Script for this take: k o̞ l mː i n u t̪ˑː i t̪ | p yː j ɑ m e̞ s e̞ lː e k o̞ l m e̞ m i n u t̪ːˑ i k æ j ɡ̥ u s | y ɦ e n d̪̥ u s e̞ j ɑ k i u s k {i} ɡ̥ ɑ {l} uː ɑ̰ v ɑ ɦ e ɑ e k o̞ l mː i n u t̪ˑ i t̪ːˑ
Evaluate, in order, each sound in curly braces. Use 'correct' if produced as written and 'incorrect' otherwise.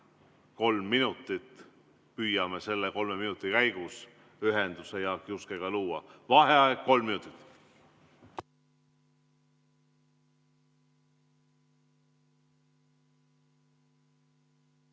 incorrect: e, correct

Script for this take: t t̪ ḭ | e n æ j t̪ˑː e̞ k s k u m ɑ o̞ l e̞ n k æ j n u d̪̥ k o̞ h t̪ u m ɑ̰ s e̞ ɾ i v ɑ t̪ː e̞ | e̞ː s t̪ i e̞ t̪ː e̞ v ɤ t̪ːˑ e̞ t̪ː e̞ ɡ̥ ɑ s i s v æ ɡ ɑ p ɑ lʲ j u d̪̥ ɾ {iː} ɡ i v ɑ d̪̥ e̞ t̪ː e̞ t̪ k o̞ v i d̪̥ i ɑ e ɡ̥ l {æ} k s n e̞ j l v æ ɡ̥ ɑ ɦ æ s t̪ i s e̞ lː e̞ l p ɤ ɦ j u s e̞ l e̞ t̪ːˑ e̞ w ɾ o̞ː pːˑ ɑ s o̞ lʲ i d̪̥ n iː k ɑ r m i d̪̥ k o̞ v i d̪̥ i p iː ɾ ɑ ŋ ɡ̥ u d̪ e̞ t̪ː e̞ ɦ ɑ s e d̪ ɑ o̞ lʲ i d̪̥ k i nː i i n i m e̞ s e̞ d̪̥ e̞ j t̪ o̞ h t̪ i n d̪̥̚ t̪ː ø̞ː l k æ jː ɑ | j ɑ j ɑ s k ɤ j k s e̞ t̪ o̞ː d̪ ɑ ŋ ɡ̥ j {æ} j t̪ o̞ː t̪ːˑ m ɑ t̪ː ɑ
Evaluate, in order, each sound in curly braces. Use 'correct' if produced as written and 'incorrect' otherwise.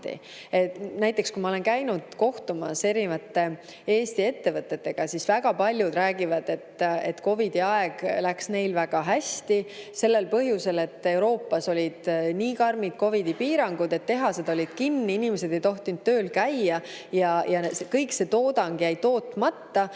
incorrect: æː, correct, correct

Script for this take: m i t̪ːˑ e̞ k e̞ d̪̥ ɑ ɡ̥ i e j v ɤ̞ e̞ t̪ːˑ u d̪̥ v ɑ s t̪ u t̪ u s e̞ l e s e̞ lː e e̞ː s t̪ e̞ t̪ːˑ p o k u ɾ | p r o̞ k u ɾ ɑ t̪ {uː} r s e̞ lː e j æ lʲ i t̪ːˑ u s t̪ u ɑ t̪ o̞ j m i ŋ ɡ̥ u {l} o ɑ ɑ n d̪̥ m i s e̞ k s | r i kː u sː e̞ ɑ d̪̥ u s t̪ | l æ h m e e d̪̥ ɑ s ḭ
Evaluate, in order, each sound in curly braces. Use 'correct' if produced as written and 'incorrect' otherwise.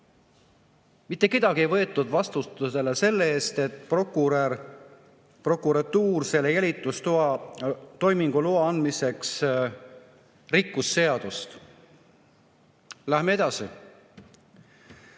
correct, correct

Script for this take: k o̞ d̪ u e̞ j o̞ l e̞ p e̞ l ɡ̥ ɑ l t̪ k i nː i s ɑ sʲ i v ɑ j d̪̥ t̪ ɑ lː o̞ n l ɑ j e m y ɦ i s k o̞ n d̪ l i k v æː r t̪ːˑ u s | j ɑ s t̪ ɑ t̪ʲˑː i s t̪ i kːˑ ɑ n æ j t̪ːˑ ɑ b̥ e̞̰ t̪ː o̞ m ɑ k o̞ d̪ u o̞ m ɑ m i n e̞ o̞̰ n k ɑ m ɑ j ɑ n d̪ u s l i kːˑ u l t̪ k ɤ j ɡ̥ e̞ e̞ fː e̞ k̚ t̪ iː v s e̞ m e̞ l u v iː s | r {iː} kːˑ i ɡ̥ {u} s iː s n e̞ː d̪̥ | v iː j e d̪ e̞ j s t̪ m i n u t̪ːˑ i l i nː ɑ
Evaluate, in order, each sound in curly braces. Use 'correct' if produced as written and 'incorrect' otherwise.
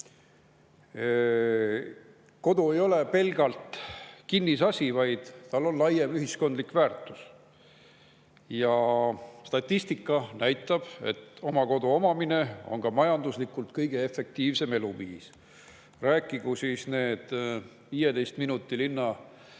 incorrect: æː, correct

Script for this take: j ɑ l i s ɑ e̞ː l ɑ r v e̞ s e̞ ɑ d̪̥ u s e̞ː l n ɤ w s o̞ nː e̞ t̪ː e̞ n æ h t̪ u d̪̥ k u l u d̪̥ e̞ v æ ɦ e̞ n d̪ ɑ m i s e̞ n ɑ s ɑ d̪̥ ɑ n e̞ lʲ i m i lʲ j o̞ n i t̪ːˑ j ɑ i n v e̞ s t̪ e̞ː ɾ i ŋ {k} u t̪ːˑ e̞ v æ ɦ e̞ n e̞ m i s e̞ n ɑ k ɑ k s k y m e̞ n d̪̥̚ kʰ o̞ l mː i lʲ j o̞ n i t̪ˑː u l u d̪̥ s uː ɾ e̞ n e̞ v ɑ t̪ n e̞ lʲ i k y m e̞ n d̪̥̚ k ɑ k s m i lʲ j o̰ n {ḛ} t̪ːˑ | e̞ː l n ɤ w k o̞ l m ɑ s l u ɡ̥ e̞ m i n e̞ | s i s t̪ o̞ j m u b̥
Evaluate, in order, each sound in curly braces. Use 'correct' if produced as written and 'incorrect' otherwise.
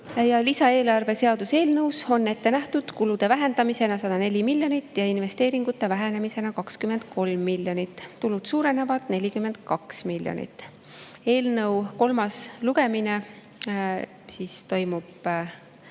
incorrect: ɡ, incorrect: ḭ

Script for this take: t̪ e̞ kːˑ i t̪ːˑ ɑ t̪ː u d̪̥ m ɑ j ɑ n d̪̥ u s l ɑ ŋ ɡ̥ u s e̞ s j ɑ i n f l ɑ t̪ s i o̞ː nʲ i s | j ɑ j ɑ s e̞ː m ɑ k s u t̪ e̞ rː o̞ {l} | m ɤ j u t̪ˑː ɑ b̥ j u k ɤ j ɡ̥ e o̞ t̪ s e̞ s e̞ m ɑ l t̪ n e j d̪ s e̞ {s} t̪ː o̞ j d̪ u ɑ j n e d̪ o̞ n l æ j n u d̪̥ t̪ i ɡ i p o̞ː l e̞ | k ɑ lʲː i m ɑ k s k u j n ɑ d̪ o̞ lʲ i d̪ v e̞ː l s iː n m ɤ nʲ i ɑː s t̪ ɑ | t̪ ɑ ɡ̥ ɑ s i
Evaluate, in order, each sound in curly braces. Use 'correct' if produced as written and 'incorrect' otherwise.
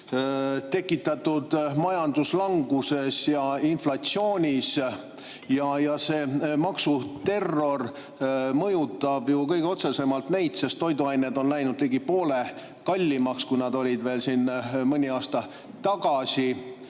incorrect: r, correct

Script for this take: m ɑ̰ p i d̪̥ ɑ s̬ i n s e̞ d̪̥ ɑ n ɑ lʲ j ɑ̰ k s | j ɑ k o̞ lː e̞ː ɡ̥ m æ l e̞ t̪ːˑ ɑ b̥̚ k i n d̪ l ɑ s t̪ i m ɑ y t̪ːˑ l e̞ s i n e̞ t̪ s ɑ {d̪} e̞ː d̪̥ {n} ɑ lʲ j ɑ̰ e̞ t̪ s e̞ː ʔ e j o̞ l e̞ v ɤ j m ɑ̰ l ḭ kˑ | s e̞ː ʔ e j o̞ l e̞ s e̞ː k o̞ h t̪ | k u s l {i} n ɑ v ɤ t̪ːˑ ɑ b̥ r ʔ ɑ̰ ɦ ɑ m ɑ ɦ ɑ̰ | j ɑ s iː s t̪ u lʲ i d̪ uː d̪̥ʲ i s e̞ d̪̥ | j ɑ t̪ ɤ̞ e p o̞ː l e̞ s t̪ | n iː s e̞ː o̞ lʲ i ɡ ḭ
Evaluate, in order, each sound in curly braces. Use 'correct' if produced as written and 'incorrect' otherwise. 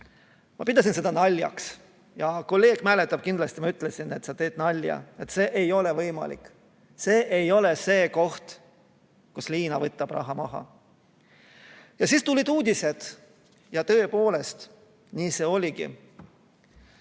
incorrect: t̪, correct, incorrect: iː

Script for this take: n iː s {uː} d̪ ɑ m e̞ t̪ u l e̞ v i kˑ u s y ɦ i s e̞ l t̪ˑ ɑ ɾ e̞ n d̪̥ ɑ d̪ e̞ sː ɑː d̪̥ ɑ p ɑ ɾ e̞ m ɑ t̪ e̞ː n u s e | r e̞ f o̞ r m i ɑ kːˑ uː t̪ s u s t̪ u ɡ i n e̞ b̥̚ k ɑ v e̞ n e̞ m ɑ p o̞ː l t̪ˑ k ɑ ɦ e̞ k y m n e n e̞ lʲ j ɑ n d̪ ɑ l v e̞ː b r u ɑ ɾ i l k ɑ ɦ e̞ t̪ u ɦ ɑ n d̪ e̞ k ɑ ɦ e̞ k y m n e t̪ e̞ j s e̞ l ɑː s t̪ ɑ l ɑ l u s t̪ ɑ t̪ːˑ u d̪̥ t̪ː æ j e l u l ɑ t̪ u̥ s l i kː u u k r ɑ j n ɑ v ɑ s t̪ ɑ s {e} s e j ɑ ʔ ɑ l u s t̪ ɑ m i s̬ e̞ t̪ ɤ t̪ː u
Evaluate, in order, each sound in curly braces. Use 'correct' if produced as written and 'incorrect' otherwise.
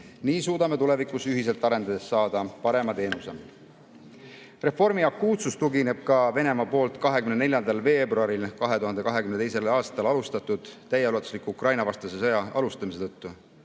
correct, correct

